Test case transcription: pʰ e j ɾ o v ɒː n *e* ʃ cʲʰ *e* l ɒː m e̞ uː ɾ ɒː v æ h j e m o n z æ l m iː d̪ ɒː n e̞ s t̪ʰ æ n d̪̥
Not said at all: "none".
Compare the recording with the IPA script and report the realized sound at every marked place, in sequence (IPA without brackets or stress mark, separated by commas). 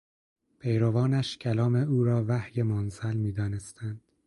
æ, æ